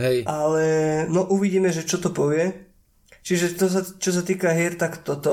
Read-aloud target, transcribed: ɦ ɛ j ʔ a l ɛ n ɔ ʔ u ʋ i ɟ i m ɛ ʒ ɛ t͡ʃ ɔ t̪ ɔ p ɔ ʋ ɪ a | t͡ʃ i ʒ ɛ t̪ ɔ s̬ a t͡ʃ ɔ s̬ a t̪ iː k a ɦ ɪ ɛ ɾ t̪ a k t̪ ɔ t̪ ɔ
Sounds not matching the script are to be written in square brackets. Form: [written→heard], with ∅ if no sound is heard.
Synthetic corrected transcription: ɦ ɛ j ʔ a l ɛ n ɔ ʔ u ʋ i ɟ [i→iː] m ɛ ʒ ɛ t͡ʃ ɔ t̪ ɔ p ɔ ʋ ɪ [a→ɛ] | t͡ʃ i ʒ ɛ t̪ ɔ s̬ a t͡ʃ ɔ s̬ a t̪ iː k a ɦ ɪ ɛ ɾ t̪ a k t̪ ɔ t̪ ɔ